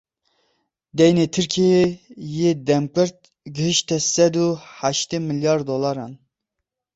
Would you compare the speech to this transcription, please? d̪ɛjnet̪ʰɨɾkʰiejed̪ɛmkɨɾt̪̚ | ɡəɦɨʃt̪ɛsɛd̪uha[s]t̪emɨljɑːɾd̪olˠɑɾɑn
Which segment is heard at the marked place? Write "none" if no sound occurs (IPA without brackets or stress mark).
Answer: ʃ